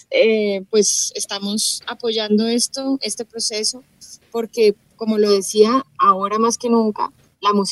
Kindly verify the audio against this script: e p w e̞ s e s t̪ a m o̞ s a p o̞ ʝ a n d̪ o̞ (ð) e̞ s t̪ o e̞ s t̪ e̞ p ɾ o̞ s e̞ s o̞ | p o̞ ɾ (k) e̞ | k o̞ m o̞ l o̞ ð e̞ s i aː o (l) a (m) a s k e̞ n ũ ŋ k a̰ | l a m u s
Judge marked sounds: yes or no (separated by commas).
no, yes, no, yes